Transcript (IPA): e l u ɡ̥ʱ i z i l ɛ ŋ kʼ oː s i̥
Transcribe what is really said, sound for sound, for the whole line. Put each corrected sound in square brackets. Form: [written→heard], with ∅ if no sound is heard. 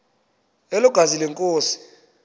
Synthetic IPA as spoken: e l u ɡ̥ʱ [i→a] z i l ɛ ŋ kʼ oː s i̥